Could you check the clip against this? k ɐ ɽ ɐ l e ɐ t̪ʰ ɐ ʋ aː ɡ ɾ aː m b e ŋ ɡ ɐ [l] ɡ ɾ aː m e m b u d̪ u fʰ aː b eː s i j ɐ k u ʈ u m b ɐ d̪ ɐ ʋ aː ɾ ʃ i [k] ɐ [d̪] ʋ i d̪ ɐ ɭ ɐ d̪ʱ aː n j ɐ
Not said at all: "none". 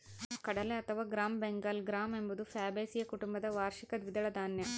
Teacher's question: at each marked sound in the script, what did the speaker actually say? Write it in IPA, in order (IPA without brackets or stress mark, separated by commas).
l, k, d̪